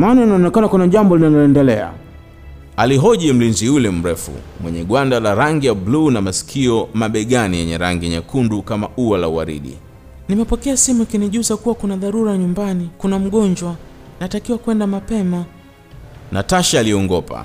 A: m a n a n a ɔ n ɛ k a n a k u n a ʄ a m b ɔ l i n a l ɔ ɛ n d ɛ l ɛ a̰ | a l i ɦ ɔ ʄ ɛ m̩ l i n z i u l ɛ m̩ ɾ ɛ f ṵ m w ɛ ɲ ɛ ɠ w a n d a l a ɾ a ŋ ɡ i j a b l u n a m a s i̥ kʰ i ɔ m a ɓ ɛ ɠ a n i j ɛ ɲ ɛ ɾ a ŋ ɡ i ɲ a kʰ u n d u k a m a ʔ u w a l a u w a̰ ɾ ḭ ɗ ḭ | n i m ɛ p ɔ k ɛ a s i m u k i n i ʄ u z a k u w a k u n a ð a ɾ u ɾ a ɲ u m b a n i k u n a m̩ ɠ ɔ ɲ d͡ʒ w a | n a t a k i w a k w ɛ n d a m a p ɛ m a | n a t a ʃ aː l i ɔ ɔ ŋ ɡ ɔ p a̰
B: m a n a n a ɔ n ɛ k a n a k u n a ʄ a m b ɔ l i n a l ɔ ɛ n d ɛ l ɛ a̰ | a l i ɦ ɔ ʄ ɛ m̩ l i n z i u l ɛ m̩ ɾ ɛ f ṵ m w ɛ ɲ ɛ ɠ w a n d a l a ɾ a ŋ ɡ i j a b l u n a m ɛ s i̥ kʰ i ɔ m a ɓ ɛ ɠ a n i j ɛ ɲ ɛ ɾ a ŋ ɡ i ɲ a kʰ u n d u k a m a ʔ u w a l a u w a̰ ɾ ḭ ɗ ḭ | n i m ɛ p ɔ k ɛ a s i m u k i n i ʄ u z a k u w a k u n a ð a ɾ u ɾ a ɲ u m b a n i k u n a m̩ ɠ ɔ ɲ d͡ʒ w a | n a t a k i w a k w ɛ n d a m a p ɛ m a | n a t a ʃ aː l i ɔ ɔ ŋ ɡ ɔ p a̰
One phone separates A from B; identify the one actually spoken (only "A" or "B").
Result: A